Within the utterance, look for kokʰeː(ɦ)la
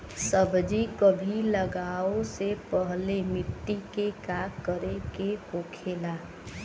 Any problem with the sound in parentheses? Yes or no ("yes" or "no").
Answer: yes